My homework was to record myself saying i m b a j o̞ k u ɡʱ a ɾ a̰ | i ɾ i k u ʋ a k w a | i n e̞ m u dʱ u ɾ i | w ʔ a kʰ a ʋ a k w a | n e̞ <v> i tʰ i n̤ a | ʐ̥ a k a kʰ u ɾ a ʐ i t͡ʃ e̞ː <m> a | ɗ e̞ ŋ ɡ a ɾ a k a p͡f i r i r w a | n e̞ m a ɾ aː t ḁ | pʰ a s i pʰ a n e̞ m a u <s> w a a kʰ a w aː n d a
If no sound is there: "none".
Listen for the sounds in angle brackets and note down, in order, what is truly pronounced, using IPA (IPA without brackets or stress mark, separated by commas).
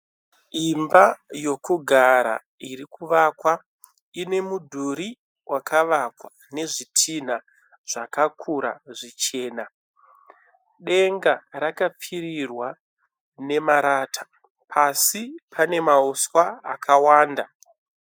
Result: ʐ, n, s